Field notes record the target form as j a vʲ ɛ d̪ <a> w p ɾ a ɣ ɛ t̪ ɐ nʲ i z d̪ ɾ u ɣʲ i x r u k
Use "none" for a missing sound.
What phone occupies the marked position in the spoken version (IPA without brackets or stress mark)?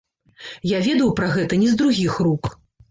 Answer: ɐ